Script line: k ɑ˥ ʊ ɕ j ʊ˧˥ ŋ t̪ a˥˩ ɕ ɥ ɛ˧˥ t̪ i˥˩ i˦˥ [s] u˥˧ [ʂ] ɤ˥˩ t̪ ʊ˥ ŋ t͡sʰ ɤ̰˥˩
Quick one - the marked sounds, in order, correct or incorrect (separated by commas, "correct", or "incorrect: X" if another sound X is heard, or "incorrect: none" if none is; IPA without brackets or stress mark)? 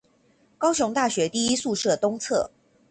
correct, correct